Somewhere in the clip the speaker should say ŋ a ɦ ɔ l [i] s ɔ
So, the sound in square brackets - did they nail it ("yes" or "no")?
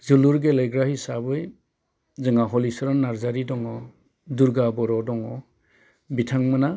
yes